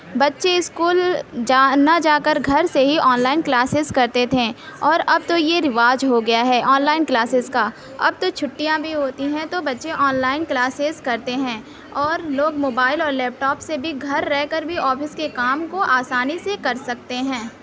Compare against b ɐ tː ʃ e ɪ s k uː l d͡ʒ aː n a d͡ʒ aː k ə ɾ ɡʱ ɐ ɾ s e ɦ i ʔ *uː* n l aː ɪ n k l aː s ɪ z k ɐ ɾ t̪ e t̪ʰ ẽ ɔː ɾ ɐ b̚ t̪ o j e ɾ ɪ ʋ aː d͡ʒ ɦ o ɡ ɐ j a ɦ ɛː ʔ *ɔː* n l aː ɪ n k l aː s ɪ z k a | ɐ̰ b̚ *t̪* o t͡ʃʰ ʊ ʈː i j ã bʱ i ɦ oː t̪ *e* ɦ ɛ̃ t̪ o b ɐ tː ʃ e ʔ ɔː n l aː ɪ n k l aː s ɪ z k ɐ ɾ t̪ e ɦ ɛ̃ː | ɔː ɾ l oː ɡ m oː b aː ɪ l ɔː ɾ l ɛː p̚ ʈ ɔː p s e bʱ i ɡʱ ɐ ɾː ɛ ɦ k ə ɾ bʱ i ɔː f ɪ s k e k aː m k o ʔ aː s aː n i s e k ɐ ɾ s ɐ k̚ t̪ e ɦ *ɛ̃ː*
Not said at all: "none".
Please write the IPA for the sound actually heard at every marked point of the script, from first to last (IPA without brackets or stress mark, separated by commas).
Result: ɔː, ɔː, t̪, i, ɛ̃ː